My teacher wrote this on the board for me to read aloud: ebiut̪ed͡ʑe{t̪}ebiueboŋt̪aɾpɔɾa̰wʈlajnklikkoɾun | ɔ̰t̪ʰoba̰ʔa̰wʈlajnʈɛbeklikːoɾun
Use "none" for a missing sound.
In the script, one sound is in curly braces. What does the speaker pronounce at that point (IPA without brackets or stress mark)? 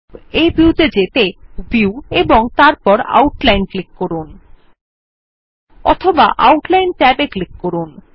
t̪